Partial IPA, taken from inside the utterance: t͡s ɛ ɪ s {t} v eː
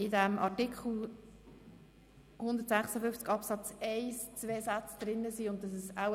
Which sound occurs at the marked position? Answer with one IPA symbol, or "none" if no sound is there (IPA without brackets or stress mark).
t͡s